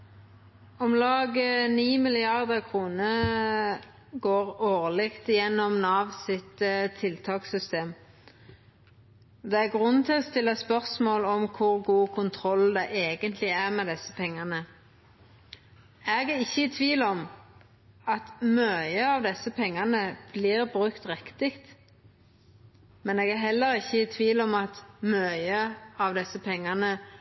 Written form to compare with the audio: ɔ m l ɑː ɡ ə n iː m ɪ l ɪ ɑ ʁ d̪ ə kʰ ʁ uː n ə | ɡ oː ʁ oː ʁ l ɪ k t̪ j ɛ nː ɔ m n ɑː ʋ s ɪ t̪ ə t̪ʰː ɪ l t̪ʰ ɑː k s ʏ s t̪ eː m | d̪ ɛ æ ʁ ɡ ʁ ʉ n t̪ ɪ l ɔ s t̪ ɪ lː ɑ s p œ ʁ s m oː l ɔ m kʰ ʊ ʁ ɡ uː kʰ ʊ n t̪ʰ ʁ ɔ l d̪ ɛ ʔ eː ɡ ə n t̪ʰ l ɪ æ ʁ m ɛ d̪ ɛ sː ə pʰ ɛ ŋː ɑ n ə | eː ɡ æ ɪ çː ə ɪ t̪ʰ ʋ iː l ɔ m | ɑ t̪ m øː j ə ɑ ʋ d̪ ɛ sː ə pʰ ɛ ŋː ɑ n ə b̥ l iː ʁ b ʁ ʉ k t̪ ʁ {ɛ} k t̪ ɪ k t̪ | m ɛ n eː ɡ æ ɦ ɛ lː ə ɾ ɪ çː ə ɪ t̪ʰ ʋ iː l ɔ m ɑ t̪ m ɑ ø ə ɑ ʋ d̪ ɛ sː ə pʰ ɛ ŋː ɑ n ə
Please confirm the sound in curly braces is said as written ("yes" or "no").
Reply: yes